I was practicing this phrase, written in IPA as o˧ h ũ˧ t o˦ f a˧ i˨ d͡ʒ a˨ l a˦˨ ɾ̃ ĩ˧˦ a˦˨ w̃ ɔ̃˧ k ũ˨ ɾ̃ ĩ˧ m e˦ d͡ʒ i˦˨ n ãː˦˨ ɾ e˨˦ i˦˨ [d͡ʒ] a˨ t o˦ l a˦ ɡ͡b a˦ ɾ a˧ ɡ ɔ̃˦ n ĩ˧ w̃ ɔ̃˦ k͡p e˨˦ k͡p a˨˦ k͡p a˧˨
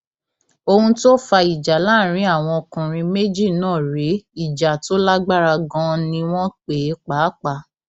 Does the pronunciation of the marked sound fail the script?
no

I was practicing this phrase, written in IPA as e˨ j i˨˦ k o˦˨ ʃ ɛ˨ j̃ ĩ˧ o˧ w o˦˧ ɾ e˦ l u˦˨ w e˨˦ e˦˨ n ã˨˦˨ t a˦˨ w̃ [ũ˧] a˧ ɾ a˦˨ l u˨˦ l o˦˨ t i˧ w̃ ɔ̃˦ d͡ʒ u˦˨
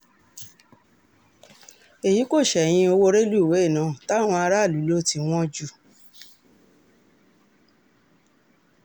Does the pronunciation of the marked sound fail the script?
yes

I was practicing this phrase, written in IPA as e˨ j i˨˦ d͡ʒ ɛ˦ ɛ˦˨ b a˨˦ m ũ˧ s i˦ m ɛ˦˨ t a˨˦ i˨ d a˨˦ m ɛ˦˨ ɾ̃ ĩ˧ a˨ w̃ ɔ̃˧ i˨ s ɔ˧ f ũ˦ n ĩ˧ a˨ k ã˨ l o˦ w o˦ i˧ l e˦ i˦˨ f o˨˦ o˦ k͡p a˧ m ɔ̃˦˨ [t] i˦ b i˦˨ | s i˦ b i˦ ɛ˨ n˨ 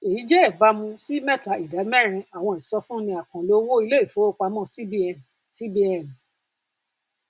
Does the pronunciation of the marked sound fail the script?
yes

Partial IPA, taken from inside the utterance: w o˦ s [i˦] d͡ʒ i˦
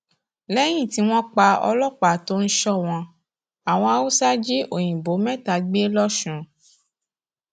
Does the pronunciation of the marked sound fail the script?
yes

